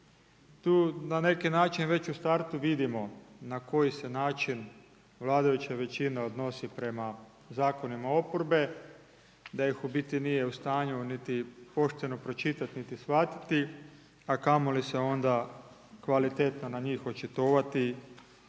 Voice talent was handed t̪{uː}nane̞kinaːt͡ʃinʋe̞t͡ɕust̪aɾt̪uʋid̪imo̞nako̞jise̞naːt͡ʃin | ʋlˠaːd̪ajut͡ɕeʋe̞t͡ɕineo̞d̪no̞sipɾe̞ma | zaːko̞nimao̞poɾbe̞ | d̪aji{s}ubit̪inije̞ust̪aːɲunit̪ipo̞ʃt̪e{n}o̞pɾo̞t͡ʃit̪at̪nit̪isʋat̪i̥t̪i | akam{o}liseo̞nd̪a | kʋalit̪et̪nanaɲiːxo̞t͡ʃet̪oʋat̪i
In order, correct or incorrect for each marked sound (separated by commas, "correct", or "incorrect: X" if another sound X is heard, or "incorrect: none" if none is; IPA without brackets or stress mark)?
correct, incorrect: x, correct, correct